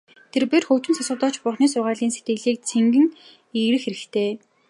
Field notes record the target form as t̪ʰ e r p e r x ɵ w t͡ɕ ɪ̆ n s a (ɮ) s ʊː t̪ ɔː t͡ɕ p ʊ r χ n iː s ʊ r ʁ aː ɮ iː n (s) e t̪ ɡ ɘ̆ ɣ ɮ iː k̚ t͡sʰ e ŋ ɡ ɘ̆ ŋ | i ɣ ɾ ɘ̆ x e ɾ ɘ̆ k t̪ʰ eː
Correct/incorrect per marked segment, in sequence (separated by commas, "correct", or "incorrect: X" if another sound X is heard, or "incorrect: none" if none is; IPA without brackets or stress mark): incorrect: none, correct